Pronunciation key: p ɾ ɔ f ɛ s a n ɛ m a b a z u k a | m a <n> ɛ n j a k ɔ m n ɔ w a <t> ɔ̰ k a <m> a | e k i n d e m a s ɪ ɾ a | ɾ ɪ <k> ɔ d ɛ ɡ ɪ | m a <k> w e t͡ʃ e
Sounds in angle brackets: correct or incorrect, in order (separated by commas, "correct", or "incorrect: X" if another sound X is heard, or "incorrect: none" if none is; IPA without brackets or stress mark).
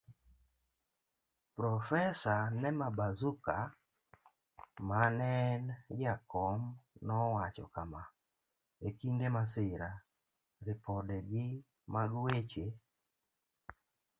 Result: correct, incorrect: t͡ʃ, correct, incorrect: p, incorrect: ɡ